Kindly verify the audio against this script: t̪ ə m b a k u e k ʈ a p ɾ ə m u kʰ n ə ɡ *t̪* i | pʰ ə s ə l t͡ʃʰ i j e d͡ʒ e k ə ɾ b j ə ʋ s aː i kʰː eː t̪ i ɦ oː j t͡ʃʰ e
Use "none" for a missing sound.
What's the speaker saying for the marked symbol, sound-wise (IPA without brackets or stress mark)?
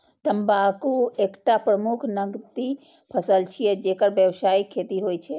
t̪